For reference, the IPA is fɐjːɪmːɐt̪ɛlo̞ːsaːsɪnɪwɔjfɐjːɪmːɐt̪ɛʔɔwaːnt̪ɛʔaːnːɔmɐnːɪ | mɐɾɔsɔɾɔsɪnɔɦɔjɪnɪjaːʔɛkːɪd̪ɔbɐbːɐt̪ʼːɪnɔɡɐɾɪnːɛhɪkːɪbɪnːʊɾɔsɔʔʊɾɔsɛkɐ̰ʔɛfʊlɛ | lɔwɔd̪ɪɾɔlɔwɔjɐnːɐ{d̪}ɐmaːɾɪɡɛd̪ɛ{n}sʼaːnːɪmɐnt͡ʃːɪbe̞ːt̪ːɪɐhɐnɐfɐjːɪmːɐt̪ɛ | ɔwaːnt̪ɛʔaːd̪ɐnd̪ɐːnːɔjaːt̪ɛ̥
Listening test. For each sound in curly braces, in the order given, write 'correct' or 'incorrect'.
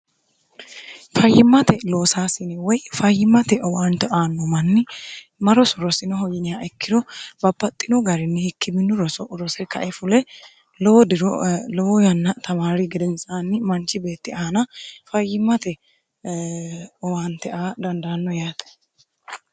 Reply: incorrect, correct

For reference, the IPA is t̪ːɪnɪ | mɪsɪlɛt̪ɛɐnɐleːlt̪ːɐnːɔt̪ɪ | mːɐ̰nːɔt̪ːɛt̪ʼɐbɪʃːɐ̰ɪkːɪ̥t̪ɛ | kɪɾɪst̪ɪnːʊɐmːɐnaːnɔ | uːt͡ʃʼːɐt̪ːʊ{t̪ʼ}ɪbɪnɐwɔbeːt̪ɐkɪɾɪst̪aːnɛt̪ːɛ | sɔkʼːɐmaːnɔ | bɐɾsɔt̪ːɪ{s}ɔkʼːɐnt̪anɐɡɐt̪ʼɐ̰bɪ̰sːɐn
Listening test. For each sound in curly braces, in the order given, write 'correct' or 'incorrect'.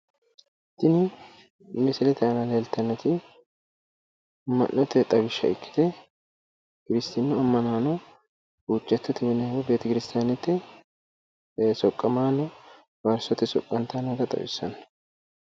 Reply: incorrect, correct

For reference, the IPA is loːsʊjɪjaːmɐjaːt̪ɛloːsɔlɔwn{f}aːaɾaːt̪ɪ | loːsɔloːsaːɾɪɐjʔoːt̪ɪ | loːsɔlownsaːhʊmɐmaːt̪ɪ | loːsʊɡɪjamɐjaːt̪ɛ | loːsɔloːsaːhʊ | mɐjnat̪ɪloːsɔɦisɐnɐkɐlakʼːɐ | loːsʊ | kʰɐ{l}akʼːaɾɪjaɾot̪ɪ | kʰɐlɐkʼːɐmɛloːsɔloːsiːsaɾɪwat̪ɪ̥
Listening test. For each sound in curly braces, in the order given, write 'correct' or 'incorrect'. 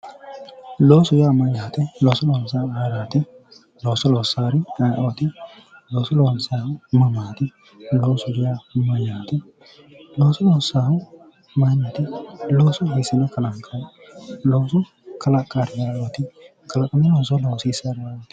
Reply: incorrect, correct

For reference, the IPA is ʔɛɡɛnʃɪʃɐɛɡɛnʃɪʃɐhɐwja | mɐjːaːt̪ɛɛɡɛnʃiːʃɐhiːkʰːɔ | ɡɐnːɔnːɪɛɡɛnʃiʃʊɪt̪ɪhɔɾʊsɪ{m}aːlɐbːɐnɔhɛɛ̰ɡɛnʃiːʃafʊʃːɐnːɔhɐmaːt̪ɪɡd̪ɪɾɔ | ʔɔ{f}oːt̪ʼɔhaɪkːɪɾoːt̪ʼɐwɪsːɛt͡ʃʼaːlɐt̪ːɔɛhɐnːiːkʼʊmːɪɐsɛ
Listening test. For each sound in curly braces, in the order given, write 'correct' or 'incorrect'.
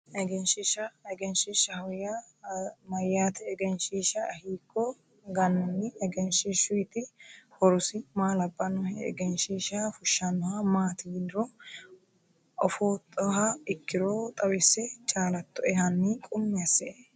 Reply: correct, correct

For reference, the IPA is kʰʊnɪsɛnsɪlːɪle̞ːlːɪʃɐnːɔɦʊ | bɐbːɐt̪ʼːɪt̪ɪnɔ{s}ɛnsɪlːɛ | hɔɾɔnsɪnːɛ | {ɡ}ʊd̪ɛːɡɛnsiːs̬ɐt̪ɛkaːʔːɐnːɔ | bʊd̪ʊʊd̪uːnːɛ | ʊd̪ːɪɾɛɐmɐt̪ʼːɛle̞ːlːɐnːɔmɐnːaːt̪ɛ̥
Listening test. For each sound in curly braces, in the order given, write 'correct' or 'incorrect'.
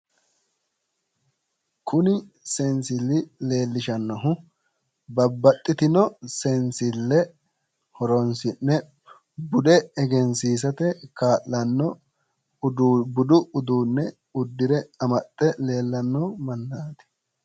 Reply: correct, incorrect

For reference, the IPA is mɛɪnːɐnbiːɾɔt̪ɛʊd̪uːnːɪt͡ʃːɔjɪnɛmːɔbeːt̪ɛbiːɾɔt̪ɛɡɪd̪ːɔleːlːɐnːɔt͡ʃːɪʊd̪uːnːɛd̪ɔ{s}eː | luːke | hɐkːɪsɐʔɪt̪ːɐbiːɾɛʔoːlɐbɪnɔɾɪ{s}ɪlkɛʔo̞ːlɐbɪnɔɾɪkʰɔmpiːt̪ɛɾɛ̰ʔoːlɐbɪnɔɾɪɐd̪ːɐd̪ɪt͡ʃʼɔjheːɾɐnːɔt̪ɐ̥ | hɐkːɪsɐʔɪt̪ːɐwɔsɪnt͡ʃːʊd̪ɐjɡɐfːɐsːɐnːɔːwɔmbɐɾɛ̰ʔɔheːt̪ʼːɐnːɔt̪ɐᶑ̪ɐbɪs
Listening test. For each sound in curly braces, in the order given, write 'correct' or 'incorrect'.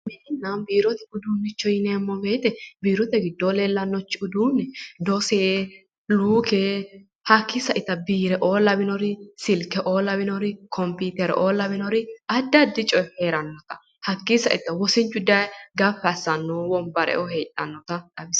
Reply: correct, correct

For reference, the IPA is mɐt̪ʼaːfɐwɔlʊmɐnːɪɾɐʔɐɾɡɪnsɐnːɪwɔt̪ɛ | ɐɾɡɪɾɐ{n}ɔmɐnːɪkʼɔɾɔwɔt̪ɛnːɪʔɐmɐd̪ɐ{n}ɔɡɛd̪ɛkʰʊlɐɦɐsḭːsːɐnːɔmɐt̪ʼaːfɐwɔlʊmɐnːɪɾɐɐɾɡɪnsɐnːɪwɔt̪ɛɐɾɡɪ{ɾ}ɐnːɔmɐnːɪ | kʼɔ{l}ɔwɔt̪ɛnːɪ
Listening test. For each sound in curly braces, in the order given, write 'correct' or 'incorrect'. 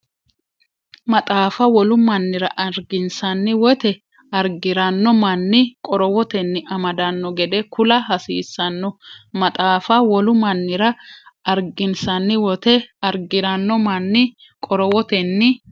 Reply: incorrect, incorrect, correct, incorrect

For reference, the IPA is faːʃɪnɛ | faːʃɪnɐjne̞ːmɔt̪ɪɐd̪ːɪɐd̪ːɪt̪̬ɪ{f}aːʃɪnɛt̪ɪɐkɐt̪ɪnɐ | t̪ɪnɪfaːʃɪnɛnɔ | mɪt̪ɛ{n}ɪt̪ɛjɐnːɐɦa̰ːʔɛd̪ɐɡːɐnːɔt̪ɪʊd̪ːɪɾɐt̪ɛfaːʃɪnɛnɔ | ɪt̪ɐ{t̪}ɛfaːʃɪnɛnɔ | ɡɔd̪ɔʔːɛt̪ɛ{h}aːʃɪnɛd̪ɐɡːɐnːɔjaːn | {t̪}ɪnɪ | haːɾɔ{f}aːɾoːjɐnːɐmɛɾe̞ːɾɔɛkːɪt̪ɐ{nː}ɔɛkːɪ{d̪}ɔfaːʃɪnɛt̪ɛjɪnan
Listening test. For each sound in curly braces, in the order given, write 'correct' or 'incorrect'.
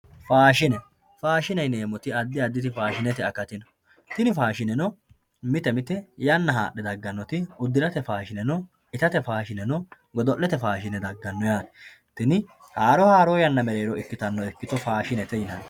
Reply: correct, incorrect, correct, incorrect, correct, incorrect, correct, incorrect

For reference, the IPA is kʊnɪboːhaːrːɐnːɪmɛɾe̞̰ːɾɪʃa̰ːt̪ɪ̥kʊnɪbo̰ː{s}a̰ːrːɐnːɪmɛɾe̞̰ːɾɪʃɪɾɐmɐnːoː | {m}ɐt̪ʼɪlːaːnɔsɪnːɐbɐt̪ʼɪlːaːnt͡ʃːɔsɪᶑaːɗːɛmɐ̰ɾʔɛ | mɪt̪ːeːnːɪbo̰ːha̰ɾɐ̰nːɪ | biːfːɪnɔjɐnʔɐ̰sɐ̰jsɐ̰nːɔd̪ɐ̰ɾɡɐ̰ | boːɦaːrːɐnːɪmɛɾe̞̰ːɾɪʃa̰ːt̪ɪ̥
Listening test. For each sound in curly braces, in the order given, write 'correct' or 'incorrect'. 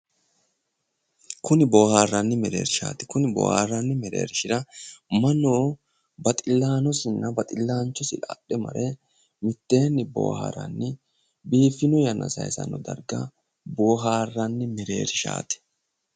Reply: incorrect, incorrect

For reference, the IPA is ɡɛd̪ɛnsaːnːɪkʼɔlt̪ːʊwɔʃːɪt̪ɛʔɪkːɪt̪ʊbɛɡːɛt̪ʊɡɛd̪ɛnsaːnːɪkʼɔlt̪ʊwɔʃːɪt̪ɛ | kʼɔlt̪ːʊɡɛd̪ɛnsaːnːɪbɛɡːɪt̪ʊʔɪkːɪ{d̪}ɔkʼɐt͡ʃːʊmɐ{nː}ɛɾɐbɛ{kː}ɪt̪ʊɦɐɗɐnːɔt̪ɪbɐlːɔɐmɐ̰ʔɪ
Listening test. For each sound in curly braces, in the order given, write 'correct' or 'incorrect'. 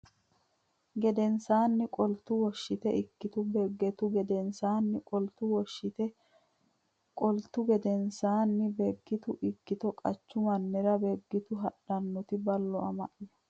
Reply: incorrect, correct, incorrect

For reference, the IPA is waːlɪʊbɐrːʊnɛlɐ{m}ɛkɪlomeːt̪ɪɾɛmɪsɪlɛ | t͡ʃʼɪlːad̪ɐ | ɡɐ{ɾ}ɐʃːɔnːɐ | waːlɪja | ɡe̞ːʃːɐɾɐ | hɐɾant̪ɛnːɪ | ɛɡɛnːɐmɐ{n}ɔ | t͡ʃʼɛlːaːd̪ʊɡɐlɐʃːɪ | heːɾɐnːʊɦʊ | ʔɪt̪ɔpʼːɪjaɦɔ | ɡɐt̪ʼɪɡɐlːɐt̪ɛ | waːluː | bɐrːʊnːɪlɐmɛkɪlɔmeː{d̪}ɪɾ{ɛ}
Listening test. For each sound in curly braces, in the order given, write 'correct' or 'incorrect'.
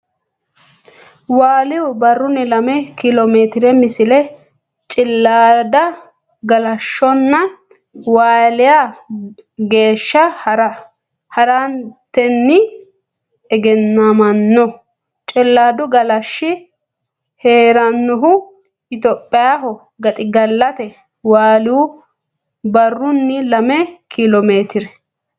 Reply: correct, incorrect, incorrect, incorrect, correct

